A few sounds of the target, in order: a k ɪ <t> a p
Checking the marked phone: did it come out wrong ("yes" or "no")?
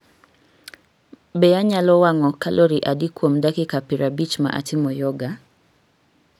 yes